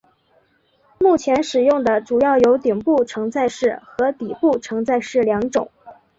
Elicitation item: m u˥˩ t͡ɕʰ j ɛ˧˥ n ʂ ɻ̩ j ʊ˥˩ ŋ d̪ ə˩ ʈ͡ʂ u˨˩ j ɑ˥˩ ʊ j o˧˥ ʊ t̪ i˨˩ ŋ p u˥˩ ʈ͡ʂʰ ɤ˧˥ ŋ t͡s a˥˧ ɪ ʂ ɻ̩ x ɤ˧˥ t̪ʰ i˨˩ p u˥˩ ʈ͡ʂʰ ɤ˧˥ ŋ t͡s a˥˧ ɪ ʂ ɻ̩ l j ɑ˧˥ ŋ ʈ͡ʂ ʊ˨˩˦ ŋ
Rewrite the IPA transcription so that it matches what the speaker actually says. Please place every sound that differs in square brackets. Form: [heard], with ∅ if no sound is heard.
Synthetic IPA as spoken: m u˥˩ t͡ɕʰ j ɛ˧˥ n ʂ ɻ̩ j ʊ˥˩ ŋ d̪ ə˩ ʈ͡ʂ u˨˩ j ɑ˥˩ ʊ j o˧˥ ʊ t̪ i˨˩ ŋ p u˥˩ ʈ͡ʂʰ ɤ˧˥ ŋ t͡s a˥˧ ɪ ʂ ɻ̩ x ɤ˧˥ [t̪] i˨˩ p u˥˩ ʈ͡ʂʰ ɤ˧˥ ŋ t͡s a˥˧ ɪ ʂ ɻ̩ l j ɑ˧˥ ŋ ʈ͡ʂ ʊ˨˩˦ ŋ